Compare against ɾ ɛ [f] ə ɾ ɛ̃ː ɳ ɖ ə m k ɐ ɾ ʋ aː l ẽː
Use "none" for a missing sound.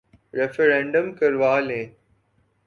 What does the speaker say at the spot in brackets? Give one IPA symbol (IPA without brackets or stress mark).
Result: f